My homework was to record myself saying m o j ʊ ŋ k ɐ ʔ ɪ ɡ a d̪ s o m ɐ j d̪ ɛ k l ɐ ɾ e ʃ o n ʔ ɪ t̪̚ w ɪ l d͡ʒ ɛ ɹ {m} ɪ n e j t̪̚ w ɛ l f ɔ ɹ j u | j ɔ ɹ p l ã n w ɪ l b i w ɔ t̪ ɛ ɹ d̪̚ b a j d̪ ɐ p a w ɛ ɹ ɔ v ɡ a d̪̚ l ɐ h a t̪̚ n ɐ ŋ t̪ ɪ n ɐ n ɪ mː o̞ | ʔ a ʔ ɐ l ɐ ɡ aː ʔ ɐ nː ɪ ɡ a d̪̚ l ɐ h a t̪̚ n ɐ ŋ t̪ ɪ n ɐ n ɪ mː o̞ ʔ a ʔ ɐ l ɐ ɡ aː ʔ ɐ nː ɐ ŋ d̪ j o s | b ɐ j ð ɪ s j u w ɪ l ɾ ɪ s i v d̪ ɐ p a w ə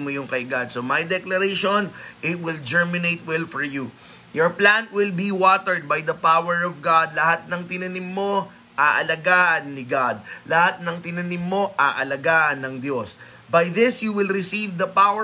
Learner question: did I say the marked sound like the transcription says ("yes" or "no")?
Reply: yes